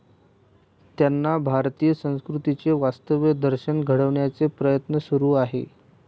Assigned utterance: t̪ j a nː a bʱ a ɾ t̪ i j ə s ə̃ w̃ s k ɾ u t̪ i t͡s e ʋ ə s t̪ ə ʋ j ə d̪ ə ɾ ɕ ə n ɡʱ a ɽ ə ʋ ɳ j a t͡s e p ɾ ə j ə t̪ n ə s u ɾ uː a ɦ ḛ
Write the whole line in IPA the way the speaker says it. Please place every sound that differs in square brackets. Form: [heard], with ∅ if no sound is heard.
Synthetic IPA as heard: t̪ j a nː a bʱ a ɾ t̪ i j ə s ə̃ w̃ s k ɾ u t̪ i t͡s e ʋ [a] s t̪ ə ʋ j ə d̪ ə ɾ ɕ ə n ɡʱ [ə] ɽ ə ʋ ɳ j a t͡s e p ɾ ə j ə t̪ n ə s u ɾ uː a ɦ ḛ